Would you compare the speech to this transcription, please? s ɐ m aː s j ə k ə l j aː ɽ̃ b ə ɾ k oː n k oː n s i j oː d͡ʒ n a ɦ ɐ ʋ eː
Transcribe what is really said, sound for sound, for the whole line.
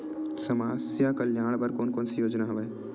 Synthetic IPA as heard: s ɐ m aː s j a k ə l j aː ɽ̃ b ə ɾ k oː n k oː n s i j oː d͡ʒ n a ɦ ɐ ʋ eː